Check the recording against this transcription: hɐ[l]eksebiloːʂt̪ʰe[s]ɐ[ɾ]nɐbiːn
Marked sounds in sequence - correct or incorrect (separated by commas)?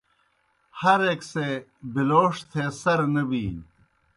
incorrect, correct, correct